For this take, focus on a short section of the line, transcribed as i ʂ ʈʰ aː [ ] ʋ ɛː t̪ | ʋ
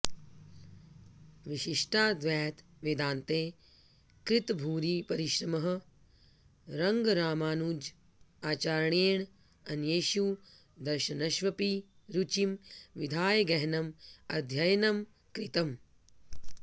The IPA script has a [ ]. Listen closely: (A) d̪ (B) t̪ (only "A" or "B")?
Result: A